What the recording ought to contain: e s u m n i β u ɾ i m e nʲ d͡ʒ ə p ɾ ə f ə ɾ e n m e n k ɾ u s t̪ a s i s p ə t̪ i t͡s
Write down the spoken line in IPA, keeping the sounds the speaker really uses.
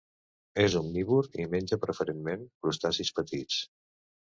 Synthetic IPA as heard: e z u m n i β u ɾ i m e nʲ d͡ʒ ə p ɾ ə f ə ɾ e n m e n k ɾ u s t̪ a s i s p ə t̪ i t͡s

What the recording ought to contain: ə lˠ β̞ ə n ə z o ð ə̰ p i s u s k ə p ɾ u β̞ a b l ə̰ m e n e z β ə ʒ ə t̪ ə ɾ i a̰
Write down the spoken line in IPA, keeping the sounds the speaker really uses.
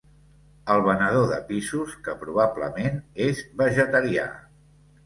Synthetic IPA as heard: ə lˠ β̞ ə n ə ð o ð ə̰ p i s u s k ə p ɾ u β̞ a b l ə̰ m e n e z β ə ʒ ə t̪ ə ɾ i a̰

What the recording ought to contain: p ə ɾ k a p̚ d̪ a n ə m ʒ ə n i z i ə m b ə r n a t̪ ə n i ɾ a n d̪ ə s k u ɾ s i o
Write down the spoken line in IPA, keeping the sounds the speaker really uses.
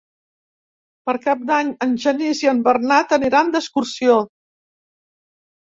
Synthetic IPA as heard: p ə ɾ k a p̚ d̪ a ɲ ə n ʒ ə n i z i ə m b ə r n a t̪ ə n i ɾ a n d̪ ə s k u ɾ s i o

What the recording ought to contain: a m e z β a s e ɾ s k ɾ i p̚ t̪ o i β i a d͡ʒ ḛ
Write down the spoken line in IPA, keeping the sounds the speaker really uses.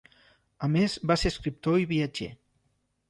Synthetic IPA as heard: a m e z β a s e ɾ s k ɾ i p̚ t̪ o i β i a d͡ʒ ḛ

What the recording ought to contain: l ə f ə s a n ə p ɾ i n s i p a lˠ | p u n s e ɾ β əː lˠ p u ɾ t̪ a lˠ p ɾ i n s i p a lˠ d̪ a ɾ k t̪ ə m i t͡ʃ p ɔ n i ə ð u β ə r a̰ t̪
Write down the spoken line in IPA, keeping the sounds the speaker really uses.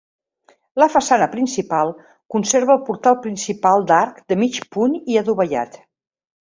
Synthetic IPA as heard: l ə f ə s a n ə p ɾ i n s i p a lˠ | k u n s e ɾ β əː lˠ p u ɾ t̪ a lˠ p ɾ i n s i p a lˠ d̪ a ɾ k d̪ ə m i t͡ʃ p u n i ə ð u β ə ʎ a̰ t̪

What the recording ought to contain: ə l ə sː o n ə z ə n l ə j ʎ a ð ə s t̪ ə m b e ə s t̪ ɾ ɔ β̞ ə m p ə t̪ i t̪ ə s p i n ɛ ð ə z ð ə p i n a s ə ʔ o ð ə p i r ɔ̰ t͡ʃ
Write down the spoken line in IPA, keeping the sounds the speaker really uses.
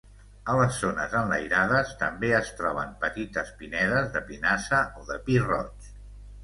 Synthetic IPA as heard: ə l ə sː o n ə z ə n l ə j ɾ a ð ə s t̪ ə m b e ə s t̪ ɾ ɔ β̞ ə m p ə t̪ i t̪ ə s p i n ɛ ð ə z ð ə p i n a s ə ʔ o ð ə p i r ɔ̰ t͡ʃ

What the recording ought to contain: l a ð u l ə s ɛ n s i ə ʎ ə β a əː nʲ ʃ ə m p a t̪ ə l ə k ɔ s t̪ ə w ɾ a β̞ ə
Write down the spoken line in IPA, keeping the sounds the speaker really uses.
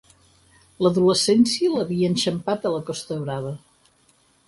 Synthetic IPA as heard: l ə ð u l ə s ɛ n s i ə l ə β i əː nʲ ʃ ə m p a t̪ ə l ə k ɔ s t̪ ə β ɾ a β̞ ə

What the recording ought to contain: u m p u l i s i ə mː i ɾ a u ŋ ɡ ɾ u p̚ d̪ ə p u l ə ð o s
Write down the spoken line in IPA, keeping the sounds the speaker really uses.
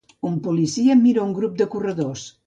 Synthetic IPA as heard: u m p u l i s i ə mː i ɾ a u ŋ ɡ ɾ u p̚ d̪ ə k u r ə ð o s

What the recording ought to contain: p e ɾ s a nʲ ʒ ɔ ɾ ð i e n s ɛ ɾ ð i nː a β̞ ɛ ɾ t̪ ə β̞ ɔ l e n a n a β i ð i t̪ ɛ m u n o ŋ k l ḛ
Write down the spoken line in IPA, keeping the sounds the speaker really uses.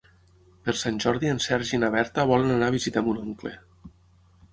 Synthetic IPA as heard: p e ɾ s a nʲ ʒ ɔ ɾ ð i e n s ɛ ɾ ʒ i n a β̞ ɛ ɾ t̪ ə β̞ ɔ l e n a n a β i z i t̪ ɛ m u n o ŋ k l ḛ

